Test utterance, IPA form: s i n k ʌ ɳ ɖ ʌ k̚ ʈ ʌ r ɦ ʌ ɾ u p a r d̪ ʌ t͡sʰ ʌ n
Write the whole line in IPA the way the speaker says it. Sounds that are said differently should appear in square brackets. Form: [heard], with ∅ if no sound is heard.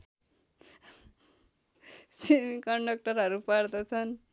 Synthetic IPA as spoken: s i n k ʌ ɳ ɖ ʌ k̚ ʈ ʌ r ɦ ʌ ɾ u p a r d̪ ʌ t͡sʰ ʌ n